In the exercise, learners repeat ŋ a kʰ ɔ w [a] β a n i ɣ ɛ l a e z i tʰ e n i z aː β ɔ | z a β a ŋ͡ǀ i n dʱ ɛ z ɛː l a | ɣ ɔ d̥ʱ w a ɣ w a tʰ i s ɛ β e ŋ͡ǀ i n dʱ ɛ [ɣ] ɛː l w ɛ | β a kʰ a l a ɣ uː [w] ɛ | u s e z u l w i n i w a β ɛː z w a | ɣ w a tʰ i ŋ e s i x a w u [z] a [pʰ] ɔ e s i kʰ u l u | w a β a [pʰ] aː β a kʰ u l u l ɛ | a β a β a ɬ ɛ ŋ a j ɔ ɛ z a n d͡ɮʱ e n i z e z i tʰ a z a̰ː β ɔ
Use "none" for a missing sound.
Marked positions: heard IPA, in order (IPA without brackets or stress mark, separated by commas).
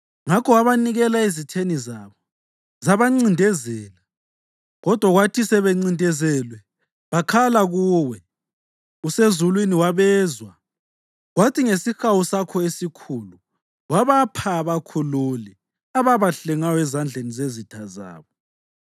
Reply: a, z, w, s, kʰ, pʰ